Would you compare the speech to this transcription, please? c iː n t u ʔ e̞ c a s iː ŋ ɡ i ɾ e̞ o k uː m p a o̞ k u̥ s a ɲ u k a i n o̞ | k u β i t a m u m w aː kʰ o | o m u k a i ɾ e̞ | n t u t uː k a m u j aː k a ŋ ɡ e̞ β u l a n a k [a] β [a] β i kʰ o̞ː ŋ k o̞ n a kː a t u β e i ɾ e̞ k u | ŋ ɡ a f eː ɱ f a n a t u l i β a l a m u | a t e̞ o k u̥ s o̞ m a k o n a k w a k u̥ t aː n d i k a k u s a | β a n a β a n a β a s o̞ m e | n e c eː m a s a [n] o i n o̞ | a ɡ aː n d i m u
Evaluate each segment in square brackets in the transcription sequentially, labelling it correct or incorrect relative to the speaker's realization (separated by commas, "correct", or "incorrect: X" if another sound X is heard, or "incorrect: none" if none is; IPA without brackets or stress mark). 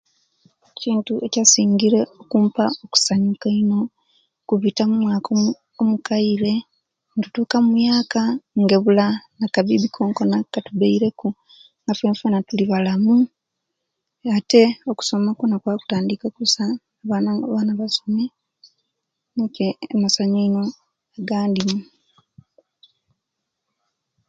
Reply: correct, incorrect: i, incorrect: ɲ